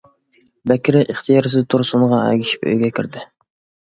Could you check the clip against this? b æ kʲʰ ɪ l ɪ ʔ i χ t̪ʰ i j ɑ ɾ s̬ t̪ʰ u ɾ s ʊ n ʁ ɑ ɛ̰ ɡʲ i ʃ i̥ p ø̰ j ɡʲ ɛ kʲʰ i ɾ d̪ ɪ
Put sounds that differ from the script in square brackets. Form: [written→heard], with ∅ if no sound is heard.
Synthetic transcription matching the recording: b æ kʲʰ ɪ [l→ɾ] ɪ ʔ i χ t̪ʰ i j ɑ ɾ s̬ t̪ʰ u ɾ s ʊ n ʁ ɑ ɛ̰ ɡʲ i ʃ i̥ p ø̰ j ɡʲ ɛ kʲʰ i ɾ d̪ ɪ